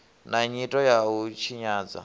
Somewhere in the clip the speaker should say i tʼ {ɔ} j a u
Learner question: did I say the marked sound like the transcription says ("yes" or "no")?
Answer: yes